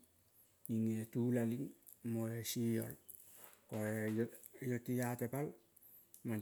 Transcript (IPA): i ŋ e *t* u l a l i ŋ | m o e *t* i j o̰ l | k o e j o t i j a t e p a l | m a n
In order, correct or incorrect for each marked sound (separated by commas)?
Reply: correct, incorrect